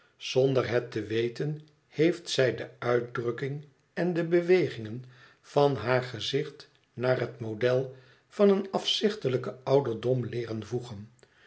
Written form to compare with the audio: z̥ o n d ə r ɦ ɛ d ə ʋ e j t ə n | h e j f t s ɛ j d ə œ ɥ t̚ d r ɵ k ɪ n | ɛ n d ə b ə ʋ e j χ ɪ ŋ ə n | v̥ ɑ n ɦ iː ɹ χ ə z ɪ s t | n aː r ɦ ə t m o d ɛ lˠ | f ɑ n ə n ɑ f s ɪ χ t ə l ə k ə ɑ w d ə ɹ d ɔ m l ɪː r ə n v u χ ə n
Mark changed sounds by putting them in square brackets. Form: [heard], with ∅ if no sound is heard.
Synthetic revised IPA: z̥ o n d ə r ɦ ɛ [t] ə ʋ e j t ə n | h e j f t s ɛ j d ə œ ɥ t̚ d r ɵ k ɪ [ŋ] | ɛ n d ə b ə ʋ e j χ ɪ ŋ ə n | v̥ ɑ n ɦ [aː] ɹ χ ə z ɪ [χ] t | n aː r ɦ ə t m o d ɛ lˠ | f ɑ n ə n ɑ f s ɪ χ t ə l ə k ə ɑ w d ə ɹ d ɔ m l ɪː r ə n v u χ ə n